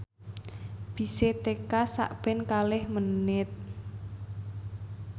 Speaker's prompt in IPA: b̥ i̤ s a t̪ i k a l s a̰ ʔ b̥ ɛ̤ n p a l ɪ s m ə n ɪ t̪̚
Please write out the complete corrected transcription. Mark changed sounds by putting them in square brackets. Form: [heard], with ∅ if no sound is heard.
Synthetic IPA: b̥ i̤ s [e] t̪ [e] k a [∅] s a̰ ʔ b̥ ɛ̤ n [k] a l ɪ [h] m ə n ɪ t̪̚